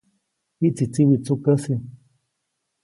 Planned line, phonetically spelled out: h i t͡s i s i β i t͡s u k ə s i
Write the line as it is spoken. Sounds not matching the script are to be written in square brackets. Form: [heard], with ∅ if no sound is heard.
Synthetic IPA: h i t͡s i [t͡s] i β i t͡s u k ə s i